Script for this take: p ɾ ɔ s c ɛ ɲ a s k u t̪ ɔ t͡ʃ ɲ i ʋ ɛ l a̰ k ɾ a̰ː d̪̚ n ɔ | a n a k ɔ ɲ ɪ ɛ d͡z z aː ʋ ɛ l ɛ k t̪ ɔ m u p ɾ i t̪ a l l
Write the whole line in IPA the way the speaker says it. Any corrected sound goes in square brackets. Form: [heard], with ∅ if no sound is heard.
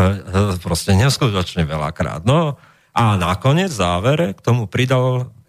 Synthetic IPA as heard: p ɾ ɔ s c ɛ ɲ [ɛ] s k u t̪ ɔ t͡ʃ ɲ [ɛ] ʋ ɛ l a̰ k ɾ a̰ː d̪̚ n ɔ | a n a k ɔ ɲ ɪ ɛ d͡z z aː ʋ ɛ [ɾ] ɛ k t̪ ɔ m u p ɾ i [d̪] a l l